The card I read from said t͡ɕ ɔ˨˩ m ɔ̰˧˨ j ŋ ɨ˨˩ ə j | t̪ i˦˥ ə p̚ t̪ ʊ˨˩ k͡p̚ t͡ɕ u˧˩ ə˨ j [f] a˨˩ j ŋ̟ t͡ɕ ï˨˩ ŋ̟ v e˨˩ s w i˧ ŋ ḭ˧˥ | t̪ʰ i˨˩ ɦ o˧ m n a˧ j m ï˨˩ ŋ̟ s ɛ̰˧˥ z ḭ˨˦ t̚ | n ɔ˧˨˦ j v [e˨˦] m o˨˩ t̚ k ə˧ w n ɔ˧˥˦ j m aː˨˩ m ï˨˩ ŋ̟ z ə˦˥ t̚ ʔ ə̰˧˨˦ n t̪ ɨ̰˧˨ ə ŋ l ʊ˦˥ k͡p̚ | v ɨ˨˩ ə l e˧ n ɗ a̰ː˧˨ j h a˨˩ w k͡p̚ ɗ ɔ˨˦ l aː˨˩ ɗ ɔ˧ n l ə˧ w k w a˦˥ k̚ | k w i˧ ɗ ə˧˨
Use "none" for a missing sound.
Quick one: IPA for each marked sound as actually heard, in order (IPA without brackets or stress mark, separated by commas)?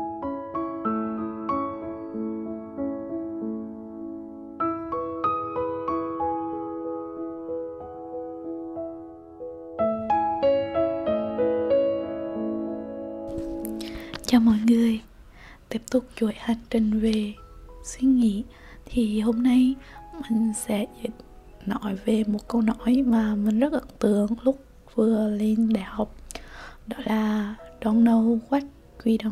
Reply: h, e˨˩